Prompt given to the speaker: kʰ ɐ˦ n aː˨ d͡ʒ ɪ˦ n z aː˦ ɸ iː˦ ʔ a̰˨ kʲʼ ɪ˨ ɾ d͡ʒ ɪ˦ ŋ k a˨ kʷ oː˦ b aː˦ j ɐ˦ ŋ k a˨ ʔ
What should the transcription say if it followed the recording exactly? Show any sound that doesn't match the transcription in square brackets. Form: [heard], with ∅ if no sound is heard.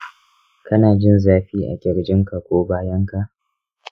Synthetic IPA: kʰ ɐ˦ n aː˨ d͡ʒ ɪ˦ n z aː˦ ɸ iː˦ ʔ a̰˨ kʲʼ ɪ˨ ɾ d͡ʒ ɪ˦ ŋ k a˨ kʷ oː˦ b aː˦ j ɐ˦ ŋ k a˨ ʔ